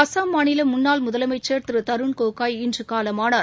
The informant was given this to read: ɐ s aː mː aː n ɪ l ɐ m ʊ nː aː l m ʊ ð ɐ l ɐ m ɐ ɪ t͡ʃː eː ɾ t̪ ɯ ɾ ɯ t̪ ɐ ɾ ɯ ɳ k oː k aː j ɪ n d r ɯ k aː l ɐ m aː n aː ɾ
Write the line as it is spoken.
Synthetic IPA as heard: ɐ s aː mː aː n ɪ l ɐ m ʊ nː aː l m ʊ ð ɐ l ɐ m ɐ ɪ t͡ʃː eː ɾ t̪ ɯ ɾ ɯ t̪ ɐ ɾ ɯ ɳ k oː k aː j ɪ n d r ɯ k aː l ɐ m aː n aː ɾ